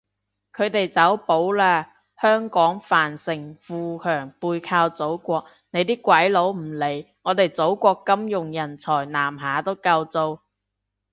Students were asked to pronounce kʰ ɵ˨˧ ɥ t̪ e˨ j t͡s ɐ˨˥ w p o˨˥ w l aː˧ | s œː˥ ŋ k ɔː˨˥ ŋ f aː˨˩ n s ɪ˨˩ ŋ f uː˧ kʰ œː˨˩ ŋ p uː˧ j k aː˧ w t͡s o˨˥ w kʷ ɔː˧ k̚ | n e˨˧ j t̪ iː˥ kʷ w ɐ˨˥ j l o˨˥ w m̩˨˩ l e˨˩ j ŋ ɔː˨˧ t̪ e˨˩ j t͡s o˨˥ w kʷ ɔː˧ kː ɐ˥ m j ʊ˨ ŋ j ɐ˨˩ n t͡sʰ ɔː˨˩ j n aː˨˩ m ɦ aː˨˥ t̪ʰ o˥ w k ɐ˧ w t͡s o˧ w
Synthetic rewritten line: kʰ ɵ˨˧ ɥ t̪ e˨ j t͡s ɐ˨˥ w p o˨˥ w l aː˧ | h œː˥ ŋ k ɔː˨˥ ŋ f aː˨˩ n s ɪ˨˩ ŋ f uː˧ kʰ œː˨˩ ŋ p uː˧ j kʰ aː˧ w t͡s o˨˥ w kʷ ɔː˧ k̚ | n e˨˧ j t̪ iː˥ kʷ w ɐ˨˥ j l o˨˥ w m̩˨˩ l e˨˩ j ŋ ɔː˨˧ t̪ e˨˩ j t͡s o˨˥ w kʷ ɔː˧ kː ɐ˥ m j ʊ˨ ŋ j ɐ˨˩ n t͡sʰ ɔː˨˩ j n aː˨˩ m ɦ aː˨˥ t̪ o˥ w k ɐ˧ w t͡s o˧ w